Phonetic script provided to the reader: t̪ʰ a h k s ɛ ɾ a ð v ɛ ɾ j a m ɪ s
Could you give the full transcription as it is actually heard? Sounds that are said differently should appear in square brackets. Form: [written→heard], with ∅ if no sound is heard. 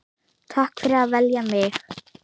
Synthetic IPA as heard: t̪ʰ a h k [s→f] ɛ ɾ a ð v ɛ [ɾ→l] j a m ɪ [s→x]